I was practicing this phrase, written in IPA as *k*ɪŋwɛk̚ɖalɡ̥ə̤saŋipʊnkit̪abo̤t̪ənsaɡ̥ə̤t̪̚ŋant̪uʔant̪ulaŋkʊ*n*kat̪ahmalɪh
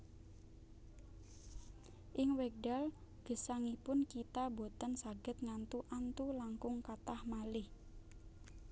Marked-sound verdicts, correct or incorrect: incorrect: ʔ, incorrect: ŋ

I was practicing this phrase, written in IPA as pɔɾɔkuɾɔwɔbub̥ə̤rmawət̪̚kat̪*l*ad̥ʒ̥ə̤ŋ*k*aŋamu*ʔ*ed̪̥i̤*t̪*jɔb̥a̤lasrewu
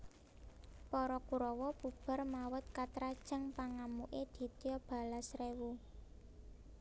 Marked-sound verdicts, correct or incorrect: incorrect: ɾ, incorrect: p, correct, correct

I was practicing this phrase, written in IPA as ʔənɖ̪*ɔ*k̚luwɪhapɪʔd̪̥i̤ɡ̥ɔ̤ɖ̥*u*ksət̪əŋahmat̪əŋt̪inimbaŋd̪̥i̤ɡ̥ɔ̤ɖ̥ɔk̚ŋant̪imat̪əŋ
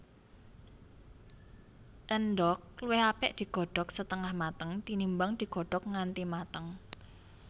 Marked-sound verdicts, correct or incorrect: correct, incorrect: ɔ

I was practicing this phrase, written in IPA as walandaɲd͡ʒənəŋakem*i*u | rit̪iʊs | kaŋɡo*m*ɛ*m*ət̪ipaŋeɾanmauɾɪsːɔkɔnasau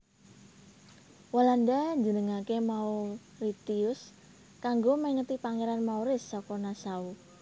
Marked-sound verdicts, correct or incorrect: incorrect: a, correct, incorrect: ŋ

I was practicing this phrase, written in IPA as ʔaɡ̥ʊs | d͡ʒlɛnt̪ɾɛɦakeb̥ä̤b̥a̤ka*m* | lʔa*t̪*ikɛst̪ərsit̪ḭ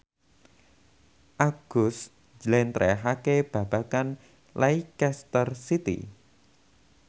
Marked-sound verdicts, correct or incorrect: incorrect: n, incorrect: none

